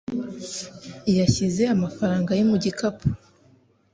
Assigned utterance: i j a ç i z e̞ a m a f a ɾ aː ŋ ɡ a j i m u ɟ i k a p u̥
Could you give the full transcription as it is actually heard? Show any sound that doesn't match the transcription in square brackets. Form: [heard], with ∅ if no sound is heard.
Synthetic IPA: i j a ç i z e̞ a m a f a ɾ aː ŋ ɡ a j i m u ɟ i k a p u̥